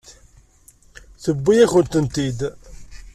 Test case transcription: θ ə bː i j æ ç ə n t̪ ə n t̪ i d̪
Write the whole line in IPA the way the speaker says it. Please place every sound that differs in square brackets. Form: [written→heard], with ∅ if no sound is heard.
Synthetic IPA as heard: θ ə bː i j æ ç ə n t̪ ə n t̪ i d̪